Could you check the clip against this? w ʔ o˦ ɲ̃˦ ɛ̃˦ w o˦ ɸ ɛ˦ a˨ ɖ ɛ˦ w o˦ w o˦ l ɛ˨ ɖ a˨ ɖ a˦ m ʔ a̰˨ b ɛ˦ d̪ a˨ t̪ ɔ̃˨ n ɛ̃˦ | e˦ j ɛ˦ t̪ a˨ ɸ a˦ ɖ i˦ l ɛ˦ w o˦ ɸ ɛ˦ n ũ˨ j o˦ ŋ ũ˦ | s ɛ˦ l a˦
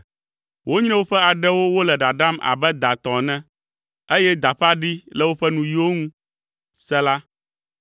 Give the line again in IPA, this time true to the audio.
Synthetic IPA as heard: w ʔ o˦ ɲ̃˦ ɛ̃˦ w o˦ ɸ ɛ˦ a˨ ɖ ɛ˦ w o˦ w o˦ l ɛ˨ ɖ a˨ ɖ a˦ m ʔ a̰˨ b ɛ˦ d̪ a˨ t̪ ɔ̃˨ n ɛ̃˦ | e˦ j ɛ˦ d̪ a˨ ɸ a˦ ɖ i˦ l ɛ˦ w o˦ ɸ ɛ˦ n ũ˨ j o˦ ŋ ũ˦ | s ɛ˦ l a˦